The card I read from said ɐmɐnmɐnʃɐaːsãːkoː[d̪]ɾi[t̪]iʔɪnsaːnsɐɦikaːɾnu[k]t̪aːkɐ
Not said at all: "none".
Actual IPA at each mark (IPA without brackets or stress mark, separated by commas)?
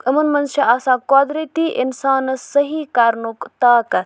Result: d̪, t̪, k